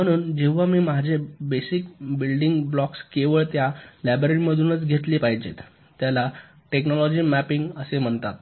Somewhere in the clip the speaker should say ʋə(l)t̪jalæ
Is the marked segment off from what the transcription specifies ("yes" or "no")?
yes